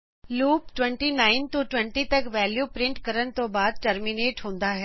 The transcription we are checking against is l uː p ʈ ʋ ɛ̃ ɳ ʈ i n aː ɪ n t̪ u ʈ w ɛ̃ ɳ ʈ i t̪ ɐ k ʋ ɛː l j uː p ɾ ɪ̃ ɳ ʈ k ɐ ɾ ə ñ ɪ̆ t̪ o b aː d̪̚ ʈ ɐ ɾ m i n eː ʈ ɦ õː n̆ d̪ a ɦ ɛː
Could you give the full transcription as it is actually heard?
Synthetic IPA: l uː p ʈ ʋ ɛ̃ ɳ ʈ i n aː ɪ n t̪ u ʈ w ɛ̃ ɳ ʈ i t̪ ɐ k ʋ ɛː l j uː p ɾ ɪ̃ ɳ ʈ k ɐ ɾ ə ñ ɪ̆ t̪ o b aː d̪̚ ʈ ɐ ɾ m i n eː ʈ ɦ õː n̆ d̪ a ɦ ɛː